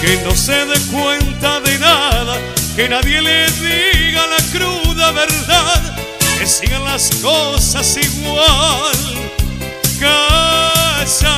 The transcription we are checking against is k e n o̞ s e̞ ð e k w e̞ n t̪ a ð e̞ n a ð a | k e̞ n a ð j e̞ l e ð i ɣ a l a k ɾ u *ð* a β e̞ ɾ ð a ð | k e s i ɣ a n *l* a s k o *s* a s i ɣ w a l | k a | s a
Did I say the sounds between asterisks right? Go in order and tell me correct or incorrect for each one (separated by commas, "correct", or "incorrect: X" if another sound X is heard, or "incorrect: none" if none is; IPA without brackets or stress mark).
correct, correct, correct